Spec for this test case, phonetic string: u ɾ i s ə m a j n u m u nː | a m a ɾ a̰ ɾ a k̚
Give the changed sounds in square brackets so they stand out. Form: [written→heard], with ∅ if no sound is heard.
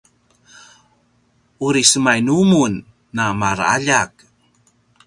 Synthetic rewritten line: u ɾ i s ə m a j n u m u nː | a m a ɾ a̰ [ɾ→ʎ] a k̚